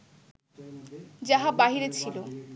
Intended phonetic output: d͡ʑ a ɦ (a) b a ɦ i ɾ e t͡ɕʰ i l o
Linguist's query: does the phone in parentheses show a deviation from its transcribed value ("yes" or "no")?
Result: no